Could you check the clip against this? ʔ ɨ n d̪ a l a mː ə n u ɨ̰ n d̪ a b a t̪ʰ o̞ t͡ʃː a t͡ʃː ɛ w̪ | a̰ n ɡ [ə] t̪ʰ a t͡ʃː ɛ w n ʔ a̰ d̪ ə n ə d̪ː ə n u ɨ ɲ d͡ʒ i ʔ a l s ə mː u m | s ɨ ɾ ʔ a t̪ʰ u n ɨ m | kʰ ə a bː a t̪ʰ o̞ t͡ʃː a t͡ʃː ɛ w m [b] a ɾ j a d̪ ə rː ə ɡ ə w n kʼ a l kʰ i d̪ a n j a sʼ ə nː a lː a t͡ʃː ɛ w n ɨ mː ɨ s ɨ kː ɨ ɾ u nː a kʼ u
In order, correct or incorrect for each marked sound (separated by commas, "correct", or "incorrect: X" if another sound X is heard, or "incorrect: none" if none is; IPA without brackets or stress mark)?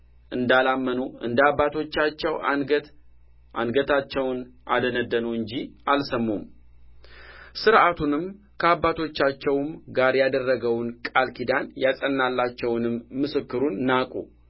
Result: correct, incorrect: ɡ